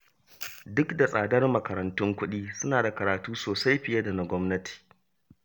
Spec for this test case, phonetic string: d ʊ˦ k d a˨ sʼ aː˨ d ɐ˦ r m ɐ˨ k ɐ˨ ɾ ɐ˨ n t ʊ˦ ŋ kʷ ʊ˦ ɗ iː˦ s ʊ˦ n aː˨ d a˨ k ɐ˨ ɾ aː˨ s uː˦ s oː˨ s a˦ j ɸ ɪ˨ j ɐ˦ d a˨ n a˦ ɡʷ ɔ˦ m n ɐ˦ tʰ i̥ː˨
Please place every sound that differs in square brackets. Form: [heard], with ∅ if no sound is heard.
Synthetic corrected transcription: d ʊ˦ k d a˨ sʼ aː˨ d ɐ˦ r m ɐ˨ k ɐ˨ ɾ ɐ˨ n t ʊ˦ ŋ kʷ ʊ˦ ɗ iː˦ s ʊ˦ n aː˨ d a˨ k ɐ˨ ɾ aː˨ [t] uː˦ s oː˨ s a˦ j ɸ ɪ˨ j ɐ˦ d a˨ n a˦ ɡʷ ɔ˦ m n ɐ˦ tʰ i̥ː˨